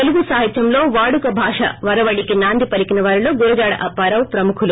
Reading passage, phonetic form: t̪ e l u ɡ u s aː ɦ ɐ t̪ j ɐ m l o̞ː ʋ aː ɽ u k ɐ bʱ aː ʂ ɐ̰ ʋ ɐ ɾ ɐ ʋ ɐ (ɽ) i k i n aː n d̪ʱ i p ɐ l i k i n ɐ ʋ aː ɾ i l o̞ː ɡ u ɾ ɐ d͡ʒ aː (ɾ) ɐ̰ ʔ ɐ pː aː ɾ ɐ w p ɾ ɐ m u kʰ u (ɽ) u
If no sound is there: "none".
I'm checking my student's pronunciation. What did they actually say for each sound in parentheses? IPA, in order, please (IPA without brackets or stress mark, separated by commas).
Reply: ɽ, ɽ, l